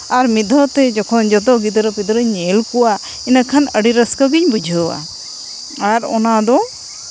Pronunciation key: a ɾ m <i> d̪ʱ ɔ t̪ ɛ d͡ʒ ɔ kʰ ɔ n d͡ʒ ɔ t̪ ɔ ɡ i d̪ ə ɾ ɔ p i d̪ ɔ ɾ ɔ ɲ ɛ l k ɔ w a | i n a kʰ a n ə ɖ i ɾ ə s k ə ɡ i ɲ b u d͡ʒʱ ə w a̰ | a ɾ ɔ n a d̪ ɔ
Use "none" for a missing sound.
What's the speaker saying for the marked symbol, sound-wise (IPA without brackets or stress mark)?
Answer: i